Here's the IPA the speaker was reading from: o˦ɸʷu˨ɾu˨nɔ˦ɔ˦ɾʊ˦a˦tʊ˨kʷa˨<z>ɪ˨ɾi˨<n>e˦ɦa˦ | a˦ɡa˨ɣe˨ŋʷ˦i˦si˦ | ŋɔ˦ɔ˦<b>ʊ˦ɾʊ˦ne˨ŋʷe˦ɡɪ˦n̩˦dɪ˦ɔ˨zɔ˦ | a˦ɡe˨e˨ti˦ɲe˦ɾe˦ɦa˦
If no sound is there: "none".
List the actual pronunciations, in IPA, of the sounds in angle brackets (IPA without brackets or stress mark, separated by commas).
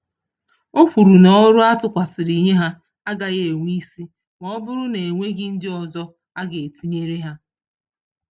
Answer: s, ɲ, b